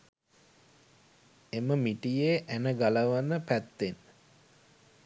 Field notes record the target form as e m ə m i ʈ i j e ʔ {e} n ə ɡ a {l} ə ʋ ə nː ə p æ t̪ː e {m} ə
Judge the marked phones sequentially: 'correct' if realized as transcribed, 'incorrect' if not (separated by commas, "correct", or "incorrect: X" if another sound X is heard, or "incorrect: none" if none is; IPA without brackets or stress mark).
incorrect: æ, correct, incorrect: n